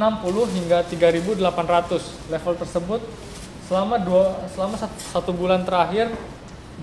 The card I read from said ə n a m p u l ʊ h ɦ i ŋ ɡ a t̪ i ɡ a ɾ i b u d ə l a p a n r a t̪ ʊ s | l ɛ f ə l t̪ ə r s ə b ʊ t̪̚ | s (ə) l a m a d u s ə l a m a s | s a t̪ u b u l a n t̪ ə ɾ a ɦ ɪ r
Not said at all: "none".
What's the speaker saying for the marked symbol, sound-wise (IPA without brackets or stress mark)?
ə